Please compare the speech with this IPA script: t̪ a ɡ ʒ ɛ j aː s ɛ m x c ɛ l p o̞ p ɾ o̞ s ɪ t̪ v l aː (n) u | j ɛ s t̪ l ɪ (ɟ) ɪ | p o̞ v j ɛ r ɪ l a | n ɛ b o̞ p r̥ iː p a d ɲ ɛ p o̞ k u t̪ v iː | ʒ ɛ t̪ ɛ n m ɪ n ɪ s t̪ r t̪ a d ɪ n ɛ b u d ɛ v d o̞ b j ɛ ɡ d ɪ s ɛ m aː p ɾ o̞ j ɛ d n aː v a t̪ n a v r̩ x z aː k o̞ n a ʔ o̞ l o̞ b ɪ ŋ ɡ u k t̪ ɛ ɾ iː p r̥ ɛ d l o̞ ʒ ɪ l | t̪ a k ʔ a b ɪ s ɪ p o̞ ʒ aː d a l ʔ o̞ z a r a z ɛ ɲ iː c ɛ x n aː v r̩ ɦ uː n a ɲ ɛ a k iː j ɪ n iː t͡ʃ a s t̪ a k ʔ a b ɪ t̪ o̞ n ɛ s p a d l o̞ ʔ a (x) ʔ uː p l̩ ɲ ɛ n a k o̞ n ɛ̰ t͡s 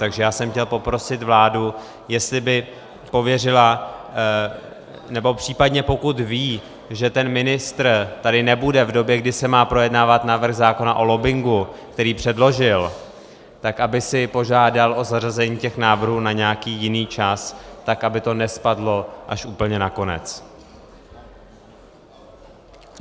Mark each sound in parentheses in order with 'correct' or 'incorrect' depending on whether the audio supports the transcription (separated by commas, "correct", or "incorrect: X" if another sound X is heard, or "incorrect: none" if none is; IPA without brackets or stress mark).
incorrect: d, incorrect: b, incorrect: ʃ